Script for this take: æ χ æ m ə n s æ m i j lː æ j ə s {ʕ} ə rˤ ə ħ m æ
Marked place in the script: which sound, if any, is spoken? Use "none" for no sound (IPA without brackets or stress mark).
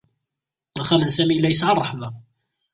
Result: ʕ